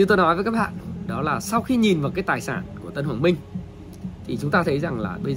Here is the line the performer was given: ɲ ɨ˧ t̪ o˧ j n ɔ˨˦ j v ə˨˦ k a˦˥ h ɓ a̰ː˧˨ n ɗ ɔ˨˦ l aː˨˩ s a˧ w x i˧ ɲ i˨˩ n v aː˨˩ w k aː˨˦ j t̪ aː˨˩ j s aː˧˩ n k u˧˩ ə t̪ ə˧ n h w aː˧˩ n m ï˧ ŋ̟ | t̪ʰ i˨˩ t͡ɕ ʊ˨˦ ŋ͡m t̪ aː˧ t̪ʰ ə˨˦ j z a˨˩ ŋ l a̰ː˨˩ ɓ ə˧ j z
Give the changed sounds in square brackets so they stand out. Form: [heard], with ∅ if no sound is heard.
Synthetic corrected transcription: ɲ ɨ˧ t̪ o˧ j n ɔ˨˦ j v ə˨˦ k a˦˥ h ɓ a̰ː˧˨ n ɗ ɔ˨˦ l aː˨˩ s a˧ w x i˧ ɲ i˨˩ n v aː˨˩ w k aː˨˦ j t̪ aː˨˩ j s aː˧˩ n k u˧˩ ə t̪ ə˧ n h w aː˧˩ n m ï˧ ŋ̟ | t̪ʰ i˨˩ t͡ɕ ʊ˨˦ ŋ͡m t̪ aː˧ t̪ʰ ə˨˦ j z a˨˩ ŋ l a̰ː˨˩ ɓ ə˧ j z